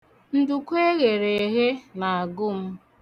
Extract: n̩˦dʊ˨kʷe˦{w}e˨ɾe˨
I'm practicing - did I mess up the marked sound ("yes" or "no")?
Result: yes